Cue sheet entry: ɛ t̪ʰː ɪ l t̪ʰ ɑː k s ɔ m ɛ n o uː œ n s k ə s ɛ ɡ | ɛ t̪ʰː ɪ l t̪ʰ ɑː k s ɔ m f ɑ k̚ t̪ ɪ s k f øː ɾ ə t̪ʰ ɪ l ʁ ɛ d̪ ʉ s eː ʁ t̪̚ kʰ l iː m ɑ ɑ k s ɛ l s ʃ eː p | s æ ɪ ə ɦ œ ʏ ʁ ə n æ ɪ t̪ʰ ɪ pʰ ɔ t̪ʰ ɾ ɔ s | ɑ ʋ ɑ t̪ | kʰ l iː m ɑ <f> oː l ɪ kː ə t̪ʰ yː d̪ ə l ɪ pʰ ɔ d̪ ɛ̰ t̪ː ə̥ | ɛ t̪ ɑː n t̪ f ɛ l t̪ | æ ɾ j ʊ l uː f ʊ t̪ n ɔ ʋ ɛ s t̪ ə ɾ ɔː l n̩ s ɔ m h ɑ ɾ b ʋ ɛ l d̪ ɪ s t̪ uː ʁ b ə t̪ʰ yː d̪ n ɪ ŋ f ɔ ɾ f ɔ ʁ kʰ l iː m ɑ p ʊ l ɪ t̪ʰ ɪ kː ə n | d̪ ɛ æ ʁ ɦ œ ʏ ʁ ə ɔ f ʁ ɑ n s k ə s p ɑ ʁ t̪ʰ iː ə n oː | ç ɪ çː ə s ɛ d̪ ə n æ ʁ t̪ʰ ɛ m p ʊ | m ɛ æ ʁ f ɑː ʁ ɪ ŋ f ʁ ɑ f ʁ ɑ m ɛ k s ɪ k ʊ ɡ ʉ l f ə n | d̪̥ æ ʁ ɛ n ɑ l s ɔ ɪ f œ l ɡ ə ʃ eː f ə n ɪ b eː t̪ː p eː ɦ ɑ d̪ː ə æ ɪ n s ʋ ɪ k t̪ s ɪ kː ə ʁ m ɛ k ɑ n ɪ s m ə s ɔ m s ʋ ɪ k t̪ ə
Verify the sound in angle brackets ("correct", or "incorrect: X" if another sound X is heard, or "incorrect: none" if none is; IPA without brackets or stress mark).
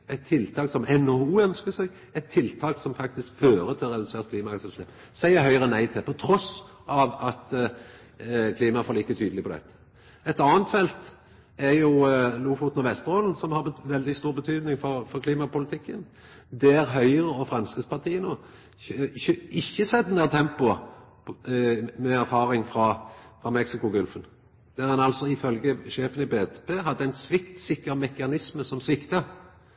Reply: correct